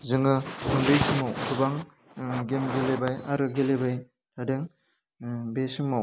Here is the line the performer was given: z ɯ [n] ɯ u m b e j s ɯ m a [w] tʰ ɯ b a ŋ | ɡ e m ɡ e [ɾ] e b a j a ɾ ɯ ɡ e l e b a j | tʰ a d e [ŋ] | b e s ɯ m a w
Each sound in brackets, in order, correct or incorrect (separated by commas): incorrect, correct, incorrect, correct